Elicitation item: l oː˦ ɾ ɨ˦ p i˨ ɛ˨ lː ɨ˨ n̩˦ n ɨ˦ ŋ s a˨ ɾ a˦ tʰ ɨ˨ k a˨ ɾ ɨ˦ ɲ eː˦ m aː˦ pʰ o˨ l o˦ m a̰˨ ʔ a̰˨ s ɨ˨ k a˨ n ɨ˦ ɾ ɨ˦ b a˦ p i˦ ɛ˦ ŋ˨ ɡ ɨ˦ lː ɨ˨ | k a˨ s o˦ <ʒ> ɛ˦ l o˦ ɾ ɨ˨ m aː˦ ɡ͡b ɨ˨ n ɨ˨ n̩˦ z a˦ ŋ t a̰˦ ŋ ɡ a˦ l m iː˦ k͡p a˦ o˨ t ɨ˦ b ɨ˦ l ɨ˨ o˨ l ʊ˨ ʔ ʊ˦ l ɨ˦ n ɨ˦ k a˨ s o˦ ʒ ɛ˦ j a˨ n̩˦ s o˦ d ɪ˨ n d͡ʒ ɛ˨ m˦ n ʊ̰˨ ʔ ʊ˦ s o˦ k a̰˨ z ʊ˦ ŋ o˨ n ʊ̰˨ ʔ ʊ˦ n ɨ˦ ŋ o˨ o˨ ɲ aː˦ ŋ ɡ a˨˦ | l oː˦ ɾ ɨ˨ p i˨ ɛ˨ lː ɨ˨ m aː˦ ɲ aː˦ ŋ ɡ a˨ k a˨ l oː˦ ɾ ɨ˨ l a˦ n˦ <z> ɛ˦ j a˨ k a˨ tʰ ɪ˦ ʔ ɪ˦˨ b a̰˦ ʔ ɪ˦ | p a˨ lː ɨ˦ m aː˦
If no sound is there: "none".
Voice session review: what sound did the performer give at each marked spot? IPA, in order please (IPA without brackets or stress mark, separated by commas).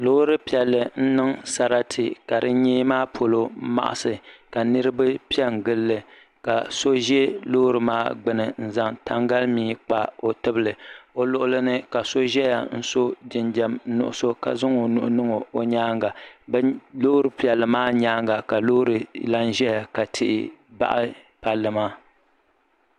ʒ, ʒ